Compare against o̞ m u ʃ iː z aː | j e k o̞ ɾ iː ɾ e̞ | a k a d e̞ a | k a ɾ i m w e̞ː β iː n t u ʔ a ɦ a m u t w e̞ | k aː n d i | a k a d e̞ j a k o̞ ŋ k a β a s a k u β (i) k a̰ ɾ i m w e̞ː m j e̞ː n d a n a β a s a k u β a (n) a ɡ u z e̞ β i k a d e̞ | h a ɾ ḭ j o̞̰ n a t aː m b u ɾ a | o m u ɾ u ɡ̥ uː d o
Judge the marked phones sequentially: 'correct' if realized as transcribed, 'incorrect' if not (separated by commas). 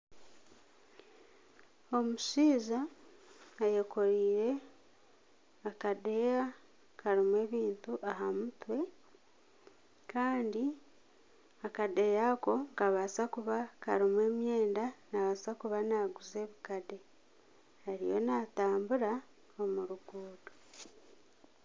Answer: incorrect, correct